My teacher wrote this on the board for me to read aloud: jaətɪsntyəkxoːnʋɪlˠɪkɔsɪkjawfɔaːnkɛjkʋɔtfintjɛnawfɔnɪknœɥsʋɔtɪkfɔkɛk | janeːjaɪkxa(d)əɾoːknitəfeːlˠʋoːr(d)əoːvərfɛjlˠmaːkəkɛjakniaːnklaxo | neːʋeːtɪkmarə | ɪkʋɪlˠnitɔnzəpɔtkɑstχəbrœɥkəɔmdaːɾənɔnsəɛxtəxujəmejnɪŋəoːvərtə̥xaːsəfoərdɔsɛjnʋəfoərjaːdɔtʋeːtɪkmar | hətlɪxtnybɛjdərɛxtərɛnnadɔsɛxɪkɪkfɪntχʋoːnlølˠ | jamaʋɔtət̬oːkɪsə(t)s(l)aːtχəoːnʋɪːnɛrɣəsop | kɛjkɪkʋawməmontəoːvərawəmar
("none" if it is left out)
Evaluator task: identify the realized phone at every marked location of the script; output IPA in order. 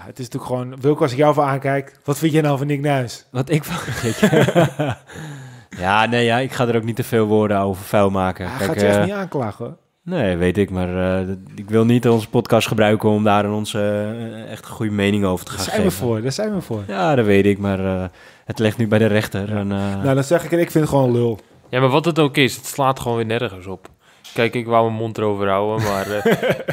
d, d, t, l

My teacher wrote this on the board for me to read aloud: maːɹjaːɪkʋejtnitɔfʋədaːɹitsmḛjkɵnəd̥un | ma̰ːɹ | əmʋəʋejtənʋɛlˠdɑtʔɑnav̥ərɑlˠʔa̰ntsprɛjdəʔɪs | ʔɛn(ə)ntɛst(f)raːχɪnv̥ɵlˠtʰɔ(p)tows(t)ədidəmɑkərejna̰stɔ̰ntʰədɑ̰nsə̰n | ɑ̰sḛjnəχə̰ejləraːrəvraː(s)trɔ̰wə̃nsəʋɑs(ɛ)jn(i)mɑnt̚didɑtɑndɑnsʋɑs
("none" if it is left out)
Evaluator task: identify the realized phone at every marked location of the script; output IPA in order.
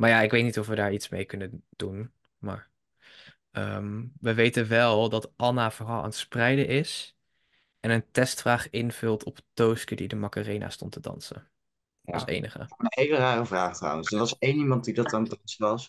ə, f, p, k, χ, e, i

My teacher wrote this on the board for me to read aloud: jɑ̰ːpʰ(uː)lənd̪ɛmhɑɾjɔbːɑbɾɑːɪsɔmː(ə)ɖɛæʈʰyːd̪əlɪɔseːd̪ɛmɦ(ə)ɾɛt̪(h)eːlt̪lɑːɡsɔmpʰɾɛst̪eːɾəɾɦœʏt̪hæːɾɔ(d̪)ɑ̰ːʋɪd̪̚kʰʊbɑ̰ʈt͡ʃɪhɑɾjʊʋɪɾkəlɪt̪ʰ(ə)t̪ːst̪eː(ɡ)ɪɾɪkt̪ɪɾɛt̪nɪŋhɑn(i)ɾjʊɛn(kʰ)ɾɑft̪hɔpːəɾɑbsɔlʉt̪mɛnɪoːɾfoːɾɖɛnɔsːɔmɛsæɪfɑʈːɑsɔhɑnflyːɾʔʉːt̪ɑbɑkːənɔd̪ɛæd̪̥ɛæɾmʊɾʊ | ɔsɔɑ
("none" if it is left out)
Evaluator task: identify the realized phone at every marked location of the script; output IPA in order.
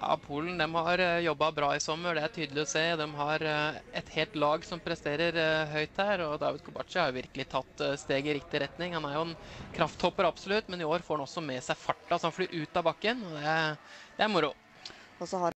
uː, ə, ɑ, h, d̪, ɑ, ɡ, æ, kʰ

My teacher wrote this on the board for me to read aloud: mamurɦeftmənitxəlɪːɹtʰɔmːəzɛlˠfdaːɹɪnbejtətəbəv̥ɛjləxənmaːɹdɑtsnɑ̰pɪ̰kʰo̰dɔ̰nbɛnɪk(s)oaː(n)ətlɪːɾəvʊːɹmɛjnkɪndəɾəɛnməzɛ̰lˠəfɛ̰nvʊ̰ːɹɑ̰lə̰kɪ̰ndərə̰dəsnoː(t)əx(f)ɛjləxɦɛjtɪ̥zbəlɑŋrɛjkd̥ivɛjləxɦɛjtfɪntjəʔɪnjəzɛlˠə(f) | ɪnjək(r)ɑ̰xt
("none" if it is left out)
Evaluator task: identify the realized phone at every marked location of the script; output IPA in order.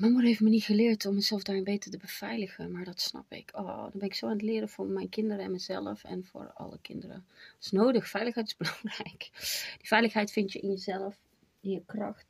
s, n, d, f, f, r

